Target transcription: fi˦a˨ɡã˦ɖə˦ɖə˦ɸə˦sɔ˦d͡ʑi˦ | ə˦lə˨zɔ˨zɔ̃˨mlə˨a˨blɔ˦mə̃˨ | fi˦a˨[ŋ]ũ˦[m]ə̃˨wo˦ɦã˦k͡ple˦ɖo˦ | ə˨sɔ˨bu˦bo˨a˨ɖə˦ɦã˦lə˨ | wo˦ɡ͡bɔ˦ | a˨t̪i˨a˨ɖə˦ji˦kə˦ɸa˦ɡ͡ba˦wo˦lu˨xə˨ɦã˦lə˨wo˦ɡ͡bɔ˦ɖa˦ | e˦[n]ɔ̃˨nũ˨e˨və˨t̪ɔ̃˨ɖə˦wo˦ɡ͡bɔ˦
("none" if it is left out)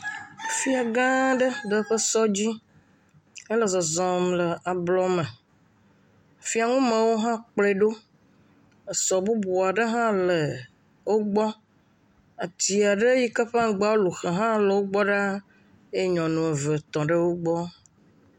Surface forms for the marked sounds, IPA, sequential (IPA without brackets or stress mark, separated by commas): ŋ, m, ɲ